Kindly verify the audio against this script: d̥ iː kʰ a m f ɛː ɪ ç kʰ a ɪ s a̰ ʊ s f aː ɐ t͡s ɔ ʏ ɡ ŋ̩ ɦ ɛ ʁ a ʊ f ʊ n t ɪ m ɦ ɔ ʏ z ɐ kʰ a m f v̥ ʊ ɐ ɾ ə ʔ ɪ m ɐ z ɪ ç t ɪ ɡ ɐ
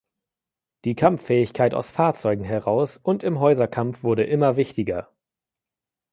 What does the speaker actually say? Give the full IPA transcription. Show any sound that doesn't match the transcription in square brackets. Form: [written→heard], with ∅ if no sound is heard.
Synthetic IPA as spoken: d̥ iː kʰ a m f ɛː ɪ ç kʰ a ɪ [s→t] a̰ ʊ s f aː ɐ t͡s ɔ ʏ ɡ ŋ̩ ɦ ɛ ʁ a ʊ [f→s] ʊ n t ɪ m ɦ ɔ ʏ z ɐ kʰ a m f v̥ ʊ ɐ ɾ ə ʔ ɪ m ɐ [z→v] ɪ ç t ɪ ɡ ɐ

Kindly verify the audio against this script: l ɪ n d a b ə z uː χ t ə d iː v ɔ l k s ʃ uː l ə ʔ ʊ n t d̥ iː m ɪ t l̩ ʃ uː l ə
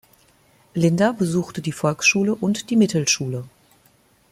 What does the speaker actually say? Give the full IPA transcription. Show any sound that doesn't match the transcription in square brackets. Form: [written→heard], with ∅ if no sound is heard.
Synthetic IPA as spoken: l ɪ n d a b ə z uː [χ→x] t ə d iː [v→f] ɔ l k s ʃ uː l ə ʔ ʊ n t d̥ iː m ɪ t l̩ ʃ uː l ə

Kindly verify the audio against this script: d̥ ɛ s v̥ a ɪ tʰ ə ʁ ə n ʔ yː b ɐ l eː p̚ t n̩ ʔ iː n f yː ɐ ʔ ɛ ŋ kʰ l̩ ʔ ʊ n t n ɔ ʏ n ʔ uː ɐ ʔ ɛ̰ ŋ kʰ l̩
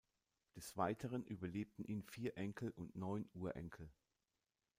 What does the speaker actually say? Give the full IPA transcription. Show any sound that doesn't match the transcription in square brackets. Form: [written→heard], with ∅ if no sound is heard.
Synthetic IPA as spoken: d̥ ɛ s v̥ a ɪ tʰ ə ʁ ə n ʔ yː b ɐ l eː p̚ t n̩ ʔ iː n f [yː→iː] ɐ ʔ ɛ ŋ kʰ l̩ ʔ ʊ n t n ɔ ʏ n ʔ uː ɐ ʔ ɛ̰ ŋ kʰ l̩

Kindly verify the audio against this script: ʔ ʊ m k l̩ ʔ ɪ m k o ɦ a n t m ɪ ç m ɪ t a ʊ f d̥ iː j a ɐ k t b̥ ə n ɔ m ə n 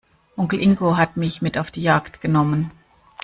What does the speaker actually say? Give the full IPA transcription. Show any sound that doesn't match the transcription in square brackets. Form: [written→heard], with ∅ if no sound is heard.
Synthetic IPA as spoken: ʔ ʊ [m→ŋ] k l̩ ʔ ɪ [m→ŋ] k o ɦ a [n→∅] t m ɪ ç m ɪ t a ʊ f d̥ iː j a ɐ k t [b̥→ɡ̥] ə n ɔ m ə n

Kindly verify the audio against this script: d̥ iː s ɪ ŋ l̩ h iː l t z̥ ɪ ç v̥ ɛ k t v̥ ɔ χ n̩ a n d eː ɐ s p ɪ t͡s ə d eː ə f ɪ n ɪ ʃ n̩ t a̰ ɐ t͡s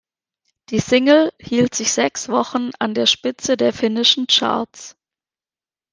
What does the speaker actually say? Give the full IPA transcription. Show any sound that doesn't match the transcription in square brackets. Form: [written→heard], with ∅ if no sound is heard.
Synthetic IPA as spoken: d̥ iː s ɪ ŋ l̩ h iː l t z̥ ɪ ç [v̥→z̥] ɛ k [t→s] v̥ ɔ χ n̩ a n d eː ɐ [s→ʃ] p ɪ t͡s ə d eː [ə→ɐ] f ɪ n ɪ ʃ n̩ [t→t͡ʃ] a̰ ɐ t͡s

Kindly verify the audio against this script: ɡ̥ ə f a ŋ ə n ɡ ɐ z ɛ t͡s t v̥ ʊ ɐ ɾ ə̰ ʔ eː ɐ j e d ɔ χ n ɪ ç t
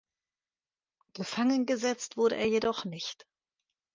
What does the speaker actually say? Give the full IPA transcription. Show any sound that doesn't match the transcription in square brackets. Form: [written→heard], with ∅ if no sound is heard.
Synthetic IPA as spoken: ɡ̥ ə f a ŋ ə n ɡ [ɐ→ə] z ɛ t͡s t v̥ ʊ ɐ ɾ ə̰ ʔ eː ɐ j e d ɔ χ n ɪ ç t

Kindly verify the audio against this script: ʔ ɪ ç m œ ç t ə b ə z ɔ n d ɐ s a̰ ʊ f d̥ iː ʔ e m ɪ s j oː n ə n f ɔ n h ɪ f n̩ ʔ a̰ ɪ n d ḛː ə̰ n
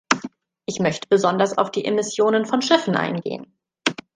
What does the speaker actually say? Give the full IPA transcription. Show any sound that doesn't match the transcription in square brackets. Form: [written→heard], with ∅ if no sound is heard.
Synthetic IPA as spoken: ʔ ɪ ç m œ ç t ə b ə z ɔ n d ɐ s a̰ ʊ f d̥ iː ʔ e m ɪ s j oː n ə n f ɔ n [h→ʃ] ɪ f n̩ ʔ a̰ ɪ n [d→ɡ] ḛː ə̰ n

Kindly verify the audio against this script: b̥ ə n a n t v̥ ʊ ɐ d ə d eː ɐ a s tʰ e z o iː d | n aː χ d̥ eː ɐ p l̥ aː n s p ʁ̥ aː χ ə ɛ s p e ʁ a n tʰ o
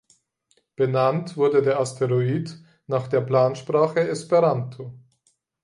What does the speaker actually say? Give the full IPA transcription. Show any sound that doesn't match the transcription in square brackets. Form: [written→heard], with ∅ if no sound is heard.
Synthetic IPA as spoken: b̥ ə n a n t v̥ ʊ ɐ d ə d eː ɐ a s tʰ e [z→ʁ] o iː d | n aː χ d̥ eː ɐ p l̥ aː n [s→ʃ] p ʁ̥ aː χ ə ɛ s p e ʁ a n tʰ o

